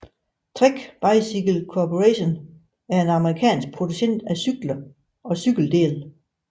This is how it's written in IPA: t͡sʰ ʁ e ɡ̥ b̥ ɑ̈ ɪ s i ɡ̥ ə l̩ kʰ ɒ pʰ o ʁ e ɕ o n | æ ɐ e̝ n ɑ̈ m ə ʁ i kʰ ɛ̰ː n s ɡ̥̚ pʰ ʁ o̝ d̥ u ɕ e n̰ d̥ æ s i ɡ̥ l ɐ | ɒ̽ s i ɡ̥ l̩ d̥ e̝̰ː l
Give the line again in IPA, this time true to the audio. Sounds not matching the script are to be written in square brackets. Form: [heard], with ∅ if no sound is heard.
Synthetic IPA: t͡sʰ ʁ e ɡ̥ b̥ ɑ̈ ɪ s i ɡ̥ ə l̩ kʰ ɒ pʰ o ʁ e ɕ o n | æ ɐ e̝ n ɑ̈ m ə ʁ i kʰ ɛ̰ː n s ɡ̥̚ pʰ ʁ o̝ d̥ u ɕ e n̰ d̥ æ s [y] ɡ̥ l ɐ | ɒ̽ s [y] ɡ̥ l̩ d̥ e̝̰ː l